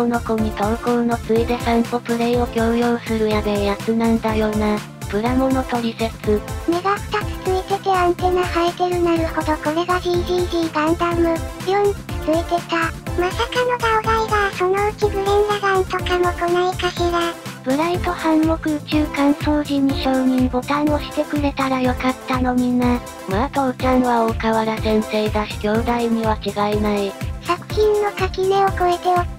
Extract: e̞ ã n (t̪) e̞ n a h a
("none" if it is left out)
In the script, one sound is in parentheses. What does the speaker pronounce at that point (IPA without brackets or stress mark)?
t̪